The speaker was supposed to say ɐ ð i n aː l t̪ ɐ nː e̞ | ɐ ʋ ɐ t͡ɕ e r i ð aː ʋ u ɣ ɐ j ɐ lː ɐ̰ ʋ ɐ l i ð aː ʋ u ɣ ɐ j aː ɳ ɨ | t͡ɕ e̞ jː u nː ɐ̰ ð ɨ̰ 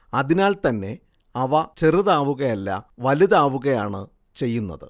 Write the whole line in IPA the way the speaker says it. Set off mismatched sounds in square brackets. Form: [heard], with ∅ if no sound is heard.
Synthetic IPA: ɐ ð i n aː l t̪ ɐ nː e̞ | ɐ ʋ ɐ t͡ɕ e r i ð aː ʋ u ɣ ɐ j ɐ lː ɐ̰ ʋ ɐ l i ð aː ʋ u ɣ ɐ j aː ɳ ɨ | t͡ɕ e̞ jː u nː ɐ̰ ð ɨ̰